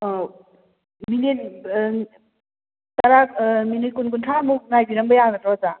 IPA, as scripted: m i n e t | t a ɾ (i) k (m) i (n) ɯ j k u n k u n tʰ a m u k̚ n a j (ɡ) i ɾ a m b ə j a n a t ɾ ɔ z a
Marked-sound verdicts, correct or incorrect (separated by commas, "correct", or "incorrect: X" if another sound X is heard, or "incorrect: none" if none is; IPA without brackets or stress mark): incorrect: a, correct, correct, incorrect: b